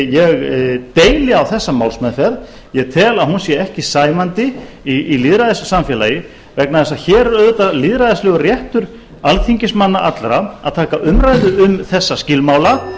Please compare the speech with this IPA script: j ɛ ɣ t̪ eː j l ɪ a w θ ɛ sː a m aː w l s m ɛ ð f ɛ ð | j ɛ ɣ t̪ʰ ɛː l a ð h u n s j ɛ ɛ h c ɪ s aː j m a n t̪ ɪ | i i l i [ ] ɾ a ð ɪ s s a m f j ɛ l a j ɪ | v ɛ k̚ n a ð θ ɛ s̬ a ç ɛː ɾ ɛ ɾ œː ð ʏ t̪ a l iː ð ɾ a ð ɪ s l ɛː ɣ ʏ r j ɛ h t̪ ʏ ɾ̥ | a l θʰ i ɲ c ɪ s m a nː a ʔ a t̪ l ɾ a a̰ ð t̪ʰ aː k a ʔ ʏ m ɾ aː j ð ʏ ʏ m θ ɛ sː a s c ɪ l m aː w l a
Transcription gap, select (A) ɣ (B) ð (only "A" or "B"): B